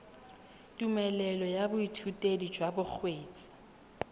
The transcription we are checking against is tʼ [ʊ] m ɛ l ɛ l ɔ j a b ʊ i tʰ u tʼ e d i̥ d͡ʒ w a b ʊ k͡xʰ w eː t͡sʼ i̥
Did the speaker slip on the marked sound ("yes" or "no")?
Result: yes